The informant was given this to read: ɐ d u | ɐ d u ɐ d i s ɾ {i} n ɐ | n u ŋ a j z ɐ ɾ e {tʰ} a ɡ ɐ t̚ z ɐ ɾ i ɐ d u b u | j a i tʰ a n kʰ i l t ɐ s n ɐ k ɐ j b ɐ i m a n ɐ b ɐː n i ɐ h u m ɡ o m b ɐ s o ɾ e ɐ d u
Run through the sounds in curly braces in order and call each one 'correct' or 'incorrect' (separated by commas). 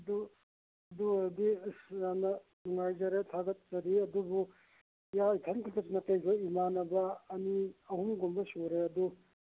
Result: incorrect, correct